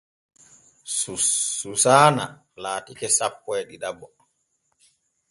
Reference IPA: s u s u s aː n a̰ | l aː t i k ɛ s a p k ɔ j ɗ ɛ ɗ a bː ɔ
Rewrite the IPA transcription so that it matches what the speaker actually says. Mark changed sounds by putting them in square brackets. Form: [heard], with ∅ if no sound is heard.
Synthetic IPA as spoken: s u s u s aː n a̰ | l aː t i k ɛ s a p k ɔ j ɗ [i] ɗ a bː ɔ

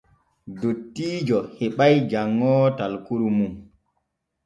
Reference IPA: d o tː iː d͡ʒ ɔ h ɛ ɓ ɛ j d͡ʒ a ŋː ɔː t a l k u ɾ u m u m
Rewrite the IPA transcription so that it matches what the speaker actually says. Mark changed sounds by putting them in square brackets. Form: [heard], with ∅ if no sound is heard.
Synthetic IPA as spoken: d o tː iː d͡ʒ ɔ h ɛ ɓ [a] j d͡ʒ a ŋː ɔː t a l k u ɾ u m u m

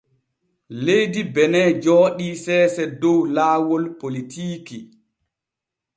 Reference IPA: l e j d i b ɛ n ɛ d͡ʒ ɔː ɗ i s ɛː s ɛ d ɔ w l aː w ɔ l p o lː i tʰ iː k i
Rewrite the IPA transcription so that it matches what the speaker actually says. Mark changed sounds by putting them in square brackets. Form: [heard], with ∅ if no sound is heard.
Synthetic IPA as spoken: l e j d i b ɛ n ɛ d͡ʒ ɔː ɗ i s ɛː s ɛ d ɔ w l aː w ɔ l p o [l] i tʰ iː k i

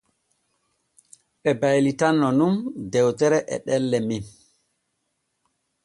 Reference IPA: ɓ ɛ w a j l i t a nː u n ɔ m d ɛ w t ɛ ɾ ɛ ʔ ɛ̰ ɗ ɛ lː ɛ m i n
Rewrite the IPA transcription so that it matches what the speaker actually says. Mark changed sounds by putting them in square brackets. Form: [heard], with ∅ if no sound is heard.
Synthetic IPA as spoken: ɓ ɛ [b] a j l i t a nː [ɔ] n [u] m d ɛ w t ɛ ɾ ɛ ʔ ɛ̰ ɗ ɛ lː ɛ m i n

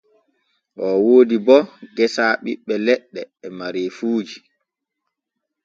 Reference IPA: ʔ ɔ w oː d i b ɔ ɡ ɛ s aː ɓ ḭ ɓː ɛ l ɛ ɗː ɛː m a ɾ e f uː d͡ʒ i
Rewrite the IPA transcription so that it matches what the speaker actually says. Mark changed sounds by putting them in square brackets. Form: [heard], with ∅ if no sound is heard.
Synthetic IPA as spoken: ʔ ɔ w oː d i b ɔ ɡ ɛ s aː ɓ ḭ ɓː ɛ l ɛ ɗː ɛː m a ɾ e f uː d͡ʒ i

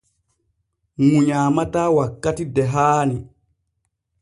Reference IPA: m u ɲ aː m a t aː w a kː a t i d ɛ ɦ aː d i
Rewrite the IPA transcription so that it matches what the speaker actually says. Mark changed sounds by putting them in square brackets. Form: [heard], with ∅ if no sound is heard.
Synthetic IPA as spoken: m u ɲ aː m a t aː w a kː a t i d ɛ ɦ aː [n] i

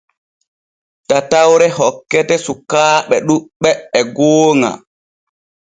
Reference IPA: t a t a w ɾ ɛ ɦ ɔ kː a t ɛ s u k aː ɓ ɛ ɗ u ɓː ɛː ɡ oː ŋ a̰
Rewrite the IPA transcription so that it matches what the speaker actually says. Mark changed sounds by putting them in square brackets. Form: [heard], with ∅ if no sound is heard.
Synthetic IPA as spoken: t a t a w ɾ ɛ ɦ ɔ kː [ɛ] t ɛ s u k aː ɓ ɛ ɗ u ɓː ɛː ɡ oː ŋ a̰

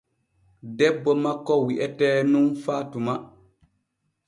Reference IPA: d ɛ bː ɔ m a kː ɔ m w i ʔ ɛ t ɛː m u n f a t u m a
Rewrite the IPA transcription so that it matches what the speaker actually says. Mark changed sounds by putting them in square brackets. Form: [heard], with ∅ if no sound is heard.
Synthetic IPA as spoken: d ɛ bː ɔ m a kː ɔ [∅] w i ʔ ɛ t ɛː [n] u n f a t u m a

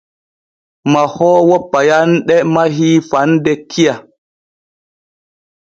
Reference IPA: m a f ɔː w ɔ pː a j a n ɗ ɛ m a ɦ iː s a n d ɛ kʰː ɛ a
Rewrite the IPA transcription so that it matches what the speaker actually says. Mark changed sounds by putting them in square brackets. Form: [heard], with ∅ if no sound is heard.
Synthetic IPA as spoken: m a [h] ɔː w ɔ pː a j a n ɗ ɛ m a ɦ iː [f] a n d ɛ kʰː [i] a

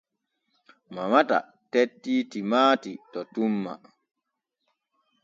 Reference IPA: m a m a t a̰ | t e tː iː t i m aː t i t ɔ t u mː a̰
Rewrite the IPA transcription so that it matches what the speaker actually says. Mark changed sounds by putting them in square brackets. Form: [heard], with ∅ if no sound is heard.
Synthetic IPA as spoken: m a m a t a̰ | t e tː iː t i m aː t i t ɔ t u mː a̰

